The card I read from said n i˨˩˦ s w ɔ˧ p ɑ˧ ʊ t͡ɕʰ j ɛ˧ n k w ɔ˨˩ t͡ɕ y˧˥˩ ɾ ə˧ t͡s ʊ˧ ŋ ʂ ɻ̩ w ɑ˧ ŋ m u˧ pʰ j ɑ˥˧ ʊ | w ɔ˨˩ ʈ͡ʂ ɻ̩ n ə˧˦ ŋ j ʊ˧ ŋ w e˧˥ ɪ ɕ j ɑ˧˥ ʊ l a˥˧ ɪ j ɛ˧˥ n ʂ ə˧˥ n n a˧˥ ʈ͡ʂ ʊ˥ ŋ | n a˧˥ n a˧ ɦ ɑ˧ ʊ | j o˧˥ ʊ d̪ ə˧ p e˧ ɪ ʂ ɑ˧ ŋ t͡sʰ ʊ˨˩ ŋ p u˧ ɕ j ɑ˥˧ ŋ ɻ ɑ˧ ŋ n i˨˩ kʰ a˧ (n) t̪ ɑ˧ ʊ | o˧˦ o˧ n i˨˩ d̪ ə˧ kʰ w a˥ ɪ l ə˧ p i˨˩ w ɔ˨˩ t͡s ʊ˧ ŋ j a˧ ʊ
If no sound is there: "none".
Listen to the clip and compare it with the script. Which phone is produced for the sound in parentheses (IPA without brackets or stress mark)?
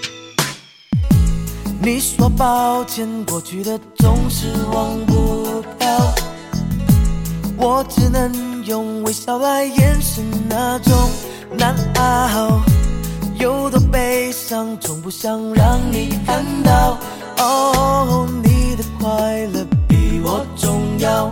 n